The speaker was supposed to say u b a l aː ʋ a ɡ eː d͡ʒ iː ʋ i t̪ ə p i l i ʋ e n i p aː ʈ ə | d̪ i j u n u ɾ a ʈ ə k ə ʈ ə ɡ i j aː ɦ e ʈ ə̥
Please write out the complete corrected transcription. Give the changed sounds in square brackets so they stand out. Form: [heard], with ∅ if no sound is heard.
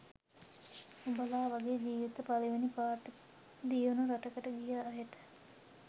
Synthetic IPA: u b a l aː ʋ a ɡ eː d͡ʒ iː ʋ i t̪ ə p [a] l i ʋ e n i p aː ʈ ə | d̪ i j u n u ɾ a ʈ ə k ə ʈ ə ɡ i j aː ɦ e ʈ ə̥